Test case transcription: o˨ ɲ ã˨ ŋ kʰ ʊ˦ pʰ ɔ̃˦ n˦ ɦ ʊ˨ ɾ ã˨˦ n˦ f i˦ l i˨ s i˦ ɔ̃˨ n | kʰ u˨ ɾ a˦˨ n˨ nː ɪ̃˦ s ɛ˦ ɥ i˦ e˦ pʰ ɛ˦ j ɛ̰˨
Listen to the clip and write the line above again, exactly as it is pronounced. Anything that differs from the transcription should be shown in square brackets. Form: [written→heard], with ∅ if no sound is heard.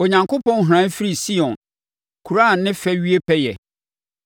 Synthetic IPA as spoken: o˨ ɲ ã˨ ŋ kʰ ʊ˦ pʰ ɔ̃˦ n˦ ɦ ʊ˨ ɾ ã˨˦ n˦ f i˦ [l→ɾ] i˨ s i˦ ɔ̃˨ n | kʰ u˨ ɾ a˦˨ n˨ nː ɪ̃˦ [s→f] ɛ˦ ɥ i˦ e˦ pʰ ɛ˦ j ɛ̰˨